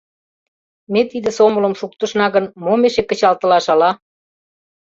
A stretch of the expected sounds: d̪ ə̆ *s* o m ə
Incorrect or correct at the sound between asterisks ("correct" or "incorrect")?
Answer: correct